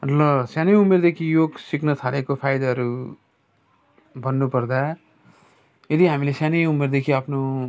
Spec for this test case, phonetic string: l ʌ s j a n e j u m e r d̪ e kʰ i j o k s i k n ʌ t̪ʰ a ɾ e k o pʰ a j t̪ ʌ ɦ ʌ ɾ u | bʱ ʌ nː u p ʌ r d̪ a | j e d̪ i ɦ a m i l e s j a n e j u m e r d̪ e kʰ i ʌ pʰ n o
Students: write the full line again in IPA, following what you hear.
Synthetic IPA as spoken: l ʌ s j a n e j u m e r d̪ e kʰ i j o ɡ s i k n ʌ t̪ʰ a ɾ e k o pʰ a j d̪ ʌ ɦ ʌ ɾ u | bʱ ʌ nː u p ʌ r d̪ a | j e d̪ i ɦ a m i l e s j a n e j u m e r d̪ e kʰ i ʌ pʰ n o